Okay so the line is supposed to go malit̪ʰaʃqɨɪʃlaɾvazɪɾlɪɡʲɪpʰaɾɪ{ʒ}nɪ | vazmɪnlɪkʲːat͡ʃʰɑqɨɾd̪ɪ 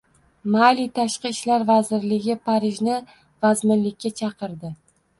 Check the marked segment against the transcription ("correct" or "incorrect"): correct